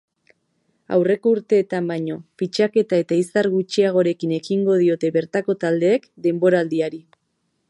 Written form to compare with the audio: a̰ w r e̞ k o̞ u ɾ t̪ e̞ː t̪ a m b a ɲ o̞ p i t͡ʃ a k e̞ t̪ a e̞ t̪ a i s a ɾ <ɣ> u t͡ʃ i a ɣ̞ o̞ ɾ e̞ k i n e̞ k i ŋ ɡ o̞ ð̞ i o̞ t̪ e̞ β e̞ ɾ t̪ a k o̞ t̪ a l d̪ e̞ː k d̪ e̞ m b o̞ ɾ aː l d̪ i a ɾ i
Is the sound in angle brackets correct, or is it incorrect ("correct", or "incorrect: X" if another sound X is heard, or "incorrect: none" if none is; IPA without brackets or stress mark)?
correct